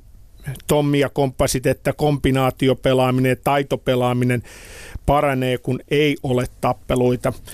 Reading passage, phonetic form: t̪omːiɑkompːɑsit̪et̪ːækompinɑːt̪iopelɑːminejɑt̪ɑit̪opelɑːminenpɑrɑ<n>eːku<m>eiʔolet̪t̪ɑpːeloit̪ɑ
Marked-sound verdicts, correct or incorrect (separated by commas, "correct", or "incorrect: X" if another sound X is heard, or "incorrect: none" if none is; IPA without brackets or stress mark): correct, incorrect: n